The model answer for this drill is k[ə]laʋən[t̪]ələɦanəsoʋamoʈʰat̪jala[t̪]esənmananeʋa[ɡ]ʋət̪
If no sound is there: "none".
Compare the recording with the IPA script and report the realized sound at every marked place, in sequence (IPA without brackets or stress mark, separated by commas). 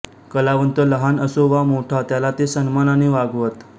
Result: ə, t̪, t̪, ɡ